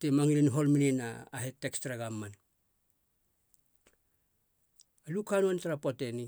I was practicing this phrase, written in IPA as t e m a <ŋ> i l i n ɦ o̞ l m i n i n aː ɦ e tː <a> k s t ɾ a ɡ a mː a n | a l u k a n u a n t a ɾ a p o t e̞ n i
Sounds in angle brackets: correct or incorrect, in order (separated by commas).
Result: correct, incorrect